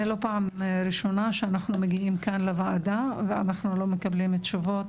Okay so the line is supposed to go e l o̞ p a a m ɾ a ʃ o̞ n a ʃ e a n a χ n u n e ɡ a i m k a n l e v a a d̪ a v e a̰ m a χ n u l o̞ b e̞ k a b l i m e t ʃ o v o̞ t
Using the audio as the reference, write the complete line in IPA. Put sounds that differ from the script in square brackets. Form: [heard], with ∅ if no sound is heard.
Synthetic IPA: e l o̞ p a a m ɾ [i] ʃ o̞ n a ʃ e a n a χ n u [m] e ɡ [i] i m k a n l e v a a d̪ a v e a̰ [n] a χ n u l o̞ [m] e̞ k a b l i m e t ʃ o v o̞ t